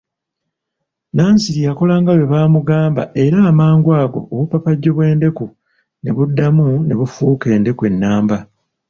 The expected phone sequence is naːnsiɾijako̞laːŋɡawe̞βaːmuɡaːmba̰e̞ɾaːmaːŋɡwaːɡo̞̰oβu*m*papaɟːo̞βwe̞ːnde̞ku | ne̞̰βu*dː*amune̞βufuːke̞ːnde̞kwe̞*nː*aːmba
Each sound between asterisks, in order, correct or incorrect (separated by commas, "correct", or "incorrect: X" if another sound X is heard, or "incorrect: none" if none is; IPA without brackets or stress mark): incorrect: none, correct, correct